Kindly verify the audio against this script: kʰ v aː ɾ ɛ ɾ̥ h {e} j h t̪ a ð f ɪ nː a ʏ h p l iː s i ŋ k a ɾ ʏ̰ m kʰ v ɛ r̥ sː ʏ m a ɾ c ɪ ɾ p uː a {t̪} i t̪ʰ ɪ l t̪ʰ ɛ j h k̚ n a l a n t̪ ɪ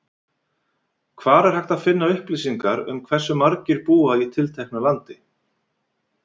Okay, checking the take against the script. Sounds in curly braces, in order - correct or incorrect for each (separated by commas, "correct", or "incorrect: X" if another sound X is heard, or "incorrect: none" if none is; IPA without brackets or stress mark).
incorrect: a, incorrect: none